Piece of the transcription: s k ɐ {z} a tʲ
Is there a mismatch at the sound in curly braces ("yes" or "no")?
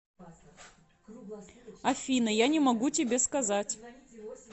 no